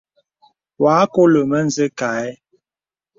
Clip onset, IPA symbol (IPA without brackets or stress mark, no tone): w